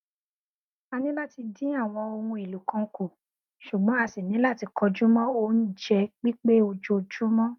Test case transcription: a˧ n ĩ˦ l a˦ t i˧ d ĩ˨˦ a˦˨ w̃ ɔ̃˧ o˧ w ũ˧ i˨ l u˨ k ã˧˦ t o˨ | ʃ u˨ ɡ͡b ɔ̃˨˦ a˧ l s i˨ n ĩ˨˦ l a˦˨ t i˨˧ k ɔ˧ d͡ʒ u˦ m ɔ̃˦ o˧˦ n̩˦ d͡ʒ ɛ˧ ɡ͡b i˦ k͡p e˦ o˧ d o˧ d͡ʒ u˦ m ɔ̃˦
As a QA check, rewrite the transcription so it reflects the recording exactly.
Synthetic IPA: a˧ n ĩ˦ l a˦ t i˧ d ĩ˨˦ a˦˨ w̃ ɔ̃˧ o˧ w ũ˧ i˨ l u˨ k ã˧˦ k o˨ | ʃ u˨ ɡ͡b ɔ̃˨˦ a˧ s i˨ n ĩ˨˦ l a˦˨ t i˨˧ k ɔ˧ d͡ʒ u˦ m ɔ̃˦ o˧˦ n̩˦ d͡ʒ ɛ˧ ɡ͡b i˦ k͡p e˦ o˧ d͡ʒ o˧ d͡ʒ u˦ m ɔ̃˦